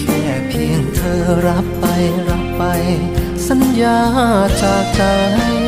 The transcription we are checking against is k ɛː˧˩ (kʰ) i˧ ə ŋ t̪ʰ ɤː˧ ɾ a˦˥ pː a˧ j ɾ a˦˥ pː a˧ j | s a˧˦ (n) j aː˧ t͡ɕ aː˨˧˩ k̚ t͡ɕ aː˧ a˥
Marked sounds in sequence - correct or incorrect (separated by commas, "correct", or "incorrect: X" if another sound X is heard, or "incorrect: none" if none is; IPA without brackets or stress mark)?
incorrect: pʰ, correct